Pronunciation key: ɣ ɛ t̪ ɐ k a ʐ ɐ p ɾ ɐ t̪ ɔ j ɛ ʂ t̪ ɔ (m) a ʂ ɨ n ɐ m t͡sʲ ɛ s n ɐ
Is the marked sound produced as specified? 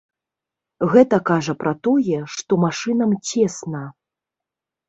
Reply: yes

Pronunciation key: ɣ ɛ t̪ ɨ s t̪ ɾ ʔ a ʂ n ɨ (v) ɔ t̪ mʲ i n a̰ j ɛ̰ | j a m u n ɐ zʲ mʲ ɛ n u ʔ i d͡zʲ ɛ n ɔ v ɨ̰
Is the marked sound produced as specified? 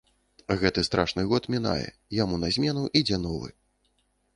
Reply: no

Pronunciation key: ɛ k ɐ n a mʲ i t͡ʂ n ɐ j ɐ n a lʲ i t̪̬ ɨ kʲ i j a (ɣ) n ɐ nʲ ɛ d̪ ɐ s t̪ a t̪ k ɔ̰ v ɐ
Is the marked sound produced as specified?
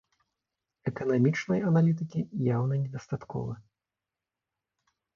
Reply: no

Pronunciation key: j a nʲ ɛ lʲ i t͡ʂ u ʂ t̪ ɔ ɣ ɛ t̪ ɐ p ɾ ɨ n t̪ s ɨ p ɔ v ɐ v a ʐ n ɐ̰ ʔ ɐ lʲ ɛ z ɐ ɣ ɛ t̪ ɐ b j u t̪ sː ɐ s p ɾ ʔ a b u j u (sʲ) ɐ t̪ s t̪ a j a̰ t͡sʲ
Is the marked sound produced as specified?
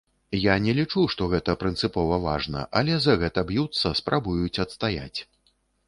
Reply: no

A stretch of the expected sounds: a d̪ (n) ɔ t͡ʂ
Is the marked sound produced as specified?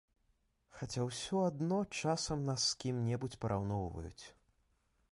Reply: yes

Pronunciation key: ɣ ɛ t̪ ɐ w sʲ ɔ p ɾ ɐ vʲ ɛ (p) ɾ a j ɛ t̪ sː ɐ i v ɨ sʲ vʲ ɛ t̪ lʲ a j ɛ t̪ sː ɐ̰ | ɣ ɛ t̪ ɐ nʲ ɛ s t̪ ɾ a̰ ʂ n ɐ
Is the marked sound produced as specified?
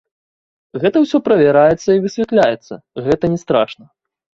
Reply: no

